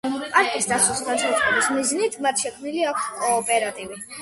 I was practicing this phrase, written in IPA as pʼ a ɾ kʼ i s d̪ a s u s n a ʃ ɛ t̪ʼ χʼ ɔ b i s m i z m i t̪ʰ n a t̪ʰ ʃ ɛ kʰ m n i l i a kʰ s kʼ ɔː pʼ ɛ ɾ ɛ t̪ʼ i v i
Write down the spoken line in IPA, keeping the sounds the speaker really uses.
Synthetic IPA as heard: pʼ a ɾ kʼ i s d̪ a s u s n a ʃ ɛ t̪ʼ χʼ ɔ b i s m i z n i t̪ʰ m a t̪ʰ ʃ ɛ kʰ m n i l i a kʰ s kʼ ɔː pʼ ɛ ɾ a t̪ʼ i v i